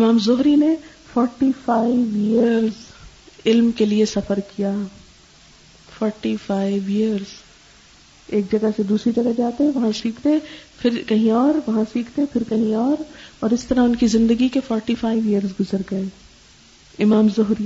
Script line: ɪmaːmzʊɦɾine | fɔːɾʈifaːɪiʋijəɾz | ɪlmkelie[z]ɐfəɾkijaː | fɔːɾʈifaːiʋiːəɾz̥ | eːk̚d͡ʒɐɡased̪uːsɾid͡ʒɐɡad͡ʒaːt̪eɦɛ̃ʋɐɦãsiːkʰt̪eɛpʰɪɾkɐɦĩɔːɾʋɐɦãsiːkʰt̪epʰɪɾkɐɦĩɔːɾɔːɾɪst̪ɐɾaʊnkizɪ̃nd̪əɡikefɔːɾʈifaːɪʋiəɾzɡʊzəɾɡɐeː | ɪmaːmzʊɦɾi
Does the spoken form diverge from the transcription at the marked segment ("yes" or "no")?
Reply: yes